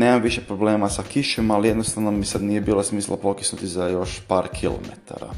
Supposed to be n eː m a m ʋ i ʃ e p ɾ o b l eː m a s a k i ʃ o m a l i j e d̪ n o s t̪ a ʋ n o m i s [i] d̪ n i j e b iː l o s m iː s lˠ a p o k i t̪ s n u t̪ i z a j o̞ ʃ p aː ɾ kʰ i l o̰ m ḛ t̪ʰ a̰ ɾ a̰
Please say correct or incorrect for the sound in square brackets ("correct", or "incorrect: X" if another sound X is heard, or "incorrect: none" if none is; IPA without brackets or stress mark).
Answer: incorrect: a